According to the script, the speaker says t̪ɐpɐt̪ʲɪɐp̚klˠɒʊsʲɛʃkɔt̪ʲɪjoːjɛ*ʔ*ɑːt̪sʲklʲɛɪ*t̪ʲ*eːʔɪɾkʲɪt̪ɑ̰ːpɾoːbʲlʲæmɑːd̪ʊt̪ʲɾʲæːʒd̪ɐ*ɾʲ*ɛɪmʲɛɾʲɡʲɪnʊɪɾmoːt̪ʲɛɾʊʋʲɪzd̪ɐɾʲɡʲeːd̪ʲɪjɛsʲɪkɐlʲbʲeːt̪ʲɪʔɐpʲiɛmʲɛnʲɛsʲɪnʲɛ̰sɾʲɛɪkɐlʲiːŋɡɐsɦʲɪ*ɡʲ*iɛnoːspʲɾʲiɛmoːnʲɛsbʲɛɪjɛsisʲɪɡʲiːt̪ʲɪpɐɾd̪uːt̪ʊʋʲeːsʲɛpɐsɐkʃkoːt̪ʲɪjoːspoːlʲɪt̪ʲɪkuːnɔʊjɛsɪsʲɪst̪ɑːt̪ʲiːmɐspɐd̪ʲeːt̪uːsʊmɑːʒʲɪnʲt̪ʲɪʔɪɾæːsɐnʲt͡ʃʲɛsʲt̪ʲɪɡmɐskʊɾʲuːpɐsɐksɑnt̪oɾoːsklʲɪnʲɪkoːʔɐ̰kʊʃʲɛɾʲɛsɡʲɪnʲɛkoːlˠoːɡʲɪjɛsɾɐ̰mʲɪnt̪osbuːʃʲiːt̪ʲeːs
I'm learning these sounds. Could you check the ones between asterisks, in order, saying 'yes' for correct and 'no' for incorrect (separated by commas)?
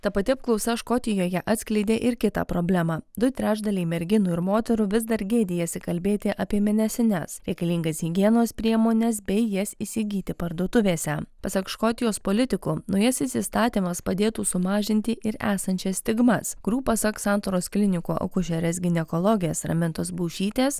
yes, no, no, yes